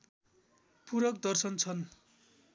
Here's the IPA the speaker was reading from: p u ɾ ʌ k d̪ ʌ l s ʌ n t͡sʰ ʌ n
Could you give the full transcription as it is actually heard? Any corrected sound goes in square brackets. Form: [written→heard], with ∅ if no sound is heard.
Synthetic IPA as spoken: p u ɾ ʌ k d̪ ʌ [l→r] s ʌ n t͡sʰ ʌ n